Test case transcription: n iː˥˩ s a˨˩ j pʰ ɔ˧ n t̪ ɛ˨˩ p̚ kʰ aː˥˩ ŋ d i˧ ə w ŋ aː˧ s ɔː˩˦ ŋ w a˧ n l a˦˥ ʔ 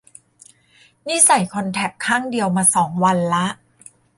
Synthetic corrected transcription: n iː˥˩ s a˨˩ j kʰ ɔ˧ n t̪ʰ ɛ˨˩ p̚ kʰ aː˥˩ ŋ d i˧ ə w m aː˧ s ɔː˩˦ ŋ w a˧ n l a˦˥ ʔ